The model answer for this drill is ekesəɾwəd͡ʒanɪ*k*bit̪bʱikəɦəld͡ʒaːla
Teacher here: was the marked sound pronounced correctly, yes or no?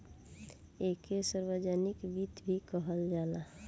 yes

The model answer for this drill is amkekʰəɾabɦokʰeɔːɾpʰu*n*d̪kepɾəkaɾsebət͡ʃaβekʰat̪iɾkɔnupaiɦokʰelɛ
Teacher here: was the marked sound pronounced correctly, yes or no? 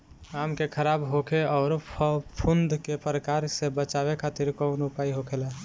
yes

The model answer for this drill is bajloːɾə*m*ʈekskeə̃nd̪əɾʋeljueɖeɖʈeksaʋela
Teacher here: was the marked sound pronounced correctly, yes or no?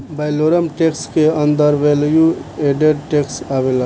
yes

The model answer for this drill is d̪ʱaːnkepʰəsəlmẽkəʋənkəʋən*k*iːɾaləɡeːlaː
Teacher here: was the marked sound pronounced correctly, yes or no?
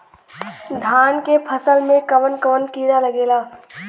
yes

